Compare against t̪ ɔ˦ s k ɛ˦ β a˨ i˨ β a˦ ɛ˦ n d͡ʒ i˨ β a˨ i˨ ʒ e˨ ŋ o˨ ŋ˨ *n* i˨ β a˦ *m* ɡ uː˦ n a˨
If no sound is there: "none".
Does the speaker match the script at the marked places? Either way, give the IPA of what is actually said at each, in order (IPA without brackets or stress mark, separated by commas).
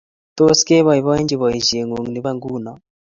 n, ŋ